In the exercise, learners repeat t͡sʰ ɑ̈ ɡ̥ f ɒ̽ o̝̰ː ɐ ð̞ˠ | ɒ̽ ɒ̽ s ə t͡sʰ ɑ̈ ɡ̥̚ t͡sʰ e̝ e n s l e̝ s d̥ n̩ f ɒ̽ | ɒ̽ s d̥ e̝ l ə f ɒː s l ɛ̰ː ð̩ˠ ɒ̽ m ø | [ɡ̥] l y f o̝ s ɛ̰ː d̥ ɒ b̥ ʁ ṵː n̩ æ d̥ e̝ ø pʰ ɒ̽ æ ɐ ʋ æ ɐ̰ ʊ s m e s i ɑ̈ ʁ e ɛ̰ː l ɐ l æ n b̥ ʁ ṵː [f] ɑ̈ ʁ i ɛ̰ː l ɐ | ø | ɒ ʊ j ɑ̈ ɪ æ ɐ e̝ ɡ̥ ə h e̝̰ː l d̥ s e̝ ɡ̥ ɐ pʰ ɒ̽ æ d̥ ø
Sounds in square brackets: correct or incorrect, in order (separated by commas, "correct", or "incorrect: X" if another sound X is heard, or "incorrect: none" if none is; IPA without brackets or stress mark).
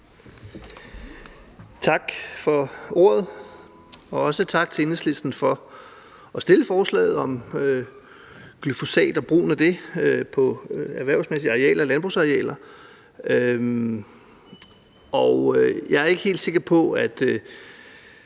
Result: correct, incorrect: s